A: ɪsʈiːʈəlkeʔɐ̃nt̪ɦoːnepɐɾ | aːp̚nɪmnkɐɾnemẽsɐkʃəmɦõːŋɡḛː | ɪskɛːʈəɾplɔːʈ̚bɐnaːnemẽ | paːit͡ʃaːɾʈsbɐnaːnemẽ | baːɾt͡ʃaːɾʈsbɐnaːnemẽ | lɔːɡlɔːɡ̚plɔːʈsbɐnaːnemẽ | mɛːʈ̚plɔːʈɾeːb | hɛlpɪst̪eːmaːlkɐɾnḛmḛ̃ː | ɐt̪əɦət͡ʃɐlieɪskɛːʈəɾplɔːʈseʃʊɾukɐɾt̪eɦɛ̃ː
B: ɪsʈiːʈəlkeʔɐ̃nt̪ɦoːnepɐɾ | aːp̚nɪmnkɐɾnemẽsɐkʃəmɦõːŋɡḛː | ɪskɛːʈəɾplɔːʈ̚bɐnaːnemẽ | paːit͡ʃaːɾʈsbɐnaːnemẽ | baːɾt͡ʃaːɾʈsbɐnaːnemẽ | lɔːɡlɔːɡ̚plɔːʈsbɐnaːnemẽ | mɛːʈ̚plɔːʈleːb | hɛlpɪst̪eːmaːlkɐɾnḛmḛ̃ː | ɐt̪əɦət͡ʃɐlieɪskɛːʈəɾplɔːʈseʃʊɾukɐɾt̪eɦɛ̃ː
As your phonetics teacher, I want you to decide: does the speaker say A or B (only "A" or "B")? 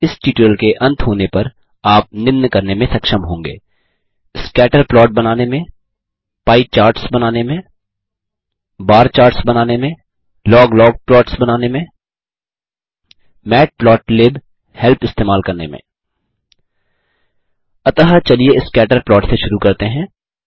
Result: B